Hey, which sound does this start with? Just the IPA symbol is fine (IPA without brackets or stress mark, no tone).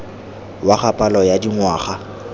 w